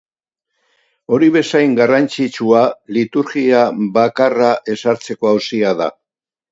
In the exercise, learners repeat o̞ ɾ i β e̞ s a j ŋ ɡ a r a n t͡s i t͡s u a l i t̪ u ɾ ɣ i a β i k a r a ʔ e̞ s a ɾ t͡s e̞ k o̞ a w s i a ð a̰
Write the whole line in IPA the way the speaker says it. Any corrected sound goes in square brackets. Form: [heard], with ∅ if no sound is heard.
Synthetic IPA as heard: o̞ ɾ i β e̞ s a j ŋ ɡ a r a n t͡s i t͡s u a l i t̪ u ɾ ɣ i a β [a] k a r a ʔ e̞ s a ɾ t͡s e̞ k o̞ a w s i a ð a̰